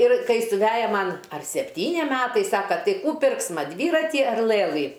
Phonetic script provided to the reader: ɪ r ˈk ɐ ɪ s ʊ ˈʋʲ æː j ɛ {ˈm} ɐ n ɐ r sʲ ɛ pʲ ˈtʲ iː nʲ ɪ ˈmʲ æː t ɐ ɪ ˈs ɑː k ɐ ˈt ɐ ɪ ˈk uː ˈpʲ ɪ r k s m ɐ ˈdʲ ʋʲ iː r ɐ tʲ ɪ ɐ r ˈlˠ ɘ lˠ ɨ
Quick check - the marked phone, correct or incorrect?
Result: correct